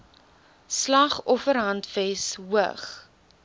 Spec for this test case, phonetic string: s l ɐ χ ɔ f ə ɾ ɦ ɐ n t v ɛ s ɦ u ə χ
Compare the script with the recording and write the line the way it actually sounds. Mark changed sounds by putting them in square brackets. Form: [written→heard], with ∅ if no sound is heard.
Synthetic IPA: s l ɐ χ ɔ f ə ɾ ɦ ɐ n t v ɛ s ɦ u ə χ